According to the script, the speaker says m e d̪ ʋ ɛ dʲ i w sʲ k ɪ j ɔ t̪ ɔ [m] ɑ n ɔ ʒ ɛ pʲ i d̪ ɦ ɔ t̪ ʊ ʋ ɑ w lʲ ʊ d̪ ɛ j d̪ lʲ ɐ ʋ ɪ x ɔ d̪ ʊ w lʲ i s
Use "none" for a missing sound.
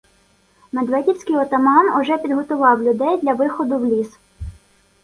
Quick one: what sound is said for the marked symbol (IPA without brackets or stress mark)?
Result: m